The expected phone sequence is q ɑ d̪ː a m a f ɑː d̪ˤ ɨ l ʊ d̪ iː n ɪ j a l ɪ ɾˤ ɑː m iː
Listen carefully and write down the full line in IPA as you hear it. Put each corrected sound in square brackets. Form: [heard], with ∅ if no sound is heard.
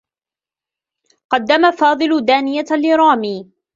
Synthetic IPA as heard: q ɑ d̪ː a m a f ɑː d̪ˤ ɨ l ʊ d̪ [aː] n ɪ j a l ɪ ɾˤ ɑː m iː

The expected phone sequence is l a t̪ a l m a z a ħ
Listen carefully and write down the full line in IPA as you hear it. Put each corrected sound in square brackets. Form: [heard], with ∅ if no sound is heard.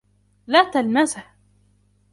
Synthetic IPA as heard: l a t̪ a l m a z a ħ

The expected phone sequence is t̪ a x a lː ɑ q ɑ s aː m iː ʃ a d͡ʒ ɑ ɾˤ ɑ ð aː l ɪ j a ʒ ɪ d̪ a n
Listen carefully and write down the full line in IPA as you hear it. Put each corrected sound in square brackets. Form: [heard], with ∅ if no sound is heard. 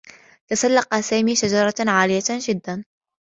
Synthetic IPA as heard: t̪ a [s] a lː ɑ q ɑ s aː m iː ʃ a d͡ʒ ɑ ɾˤ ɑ [ʕ] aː l ɪ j a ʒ ɪ [d̪ː] a n

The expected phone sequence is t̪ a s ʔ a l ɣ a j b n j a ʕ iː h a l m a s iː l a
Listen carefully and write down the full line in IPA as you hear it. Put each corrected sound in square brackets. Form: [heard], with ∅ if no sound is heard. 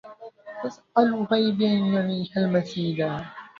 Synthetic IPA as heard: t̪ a s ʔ a l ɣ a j b n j a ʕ iː h a l m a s iː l a

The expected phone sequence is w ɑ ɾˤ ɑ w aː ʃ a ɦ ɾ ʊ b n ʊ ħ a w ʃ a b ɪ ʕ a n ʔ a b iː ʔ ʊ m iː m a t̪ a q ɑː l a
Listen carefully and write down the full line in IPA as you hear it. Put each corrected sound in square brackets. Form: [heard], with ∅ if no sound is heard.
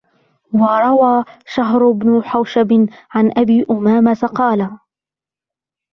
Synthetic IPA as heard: w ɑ ɾˤ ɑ w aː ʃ a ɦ ɾ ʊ b n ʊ ħ a w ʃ a b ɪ ʕ a n ʔ a b iː ʔ ʊ m [aː] m a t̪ a q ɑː l a

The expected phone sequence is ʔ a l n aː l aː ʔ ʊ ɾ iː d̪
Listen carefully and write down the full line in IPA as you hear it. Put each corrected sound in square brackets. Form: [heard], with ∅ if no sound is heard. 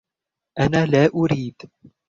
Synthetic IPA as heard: ʔ a [∅] n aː l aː ʔ ʊ ɾ iː d̪

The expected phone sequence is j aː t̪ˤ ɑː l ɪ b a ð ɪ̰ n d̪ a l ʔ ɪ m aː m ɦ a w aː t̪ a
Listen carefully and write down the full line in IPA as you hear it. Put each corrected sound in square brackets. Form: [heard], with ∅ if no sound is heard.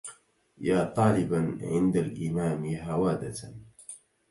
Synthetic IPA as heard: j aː t̪ˤ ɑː l ɪ b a [ʕ] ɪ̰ n d̪ a l ʔ ɪ m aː m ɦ a w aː [d̪] a

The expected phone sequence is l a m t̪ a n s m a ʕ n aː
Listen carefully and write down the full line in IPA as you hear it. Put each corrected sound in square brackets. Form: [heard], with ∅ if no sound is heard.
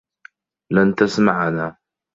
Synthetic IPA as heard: l a [n] t̪ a [∅] s m a ʕ n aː

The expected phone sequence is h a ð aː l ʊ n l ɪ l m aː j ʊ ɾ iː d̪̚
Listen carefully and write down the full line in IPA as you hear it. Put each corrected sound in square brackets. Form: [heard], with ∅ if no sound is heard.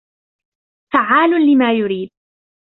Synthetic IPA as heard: [f] a [ʕ] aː l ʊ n l ɪ [∅] m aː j ʊ ɾ iː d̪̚

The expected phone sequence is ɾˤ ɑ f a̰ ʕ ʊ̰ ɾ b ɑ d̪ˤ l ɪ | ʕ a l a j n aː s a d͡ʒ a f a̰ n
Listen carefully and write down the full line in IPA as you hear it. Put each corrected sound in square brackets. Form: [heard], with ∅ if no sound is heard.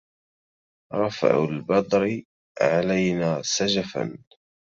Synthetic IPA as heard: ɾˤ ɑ f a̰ ʕ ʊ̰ [l] b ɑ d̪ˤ [ɾ] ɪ | ʕ a l a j n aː s a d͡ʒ a f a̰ n

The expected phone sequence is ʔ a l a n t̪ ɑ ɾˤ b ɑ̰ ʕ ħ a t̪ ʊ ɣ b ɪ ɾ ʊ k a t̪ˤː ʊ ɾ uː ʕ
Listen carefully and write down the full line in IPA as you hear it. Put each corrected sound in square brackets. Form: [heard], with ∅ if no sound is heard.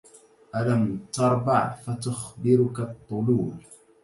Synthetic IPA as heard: ʔ a l a [m] t̪ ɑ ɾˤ b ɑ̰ ʕ [f] a t̪ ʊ [x] b ɪ ɾ ʊ k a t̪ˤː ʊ [l] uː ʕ

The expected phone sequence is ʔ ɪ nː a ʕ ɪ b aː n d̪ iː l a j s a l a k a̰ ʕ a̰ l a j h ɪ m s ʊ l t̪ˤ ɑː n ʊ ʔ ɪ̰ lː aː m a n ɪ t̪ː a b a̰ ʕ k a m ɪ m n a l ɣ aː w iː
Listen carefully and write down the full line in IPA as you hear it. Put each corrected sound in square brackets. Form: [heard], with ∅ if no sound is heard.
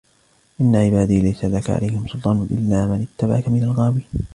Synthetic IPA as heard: ʔ ɪ nː a ʕ ɪ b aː [∅] d̪ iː l a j s a l a k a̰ ʕ a̰ l a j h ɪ m s ʊ l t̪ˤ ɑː n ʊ ʔ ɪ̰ lː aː m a n ɪ t̪ː a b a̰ ʕ k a m ɪ [∅] n a l ɣ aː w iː

